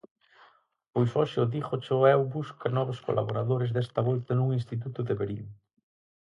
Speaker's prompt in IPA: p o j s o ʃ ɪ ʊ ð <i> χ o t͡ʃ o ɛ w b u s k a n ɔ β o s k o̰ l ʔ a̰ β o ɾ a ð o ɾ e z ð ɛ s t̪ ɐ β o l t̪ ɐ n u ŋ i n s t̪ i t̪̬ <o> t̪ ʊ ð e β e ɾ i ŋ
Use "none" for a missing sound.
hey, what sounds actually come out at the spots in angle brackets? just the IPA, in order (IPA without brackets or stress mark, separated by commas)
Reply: i, u